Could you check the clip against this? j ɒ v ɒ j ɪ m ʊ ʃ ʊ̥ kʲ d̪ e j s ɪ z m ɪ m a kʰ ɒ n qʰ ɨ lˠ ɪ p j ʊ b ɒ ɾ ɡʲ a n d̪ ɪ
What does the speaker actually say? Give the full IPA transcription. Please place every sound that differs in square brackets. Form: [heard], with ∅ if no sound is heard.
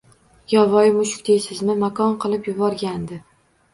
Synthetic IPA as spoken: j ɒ v ɒ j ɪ m ʊ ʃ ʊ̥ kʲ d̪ e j s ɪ z m ɪ m a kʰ ɒ n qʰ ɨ lˠ ɪ p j ʊ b ɒ ɾ ɡʲ a n d̪ ɪ